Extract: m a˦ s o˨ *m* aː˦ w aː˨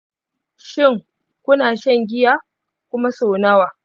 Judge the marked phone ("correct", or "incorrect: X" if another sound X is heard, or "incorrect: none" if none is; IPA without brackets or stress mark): incorrect: n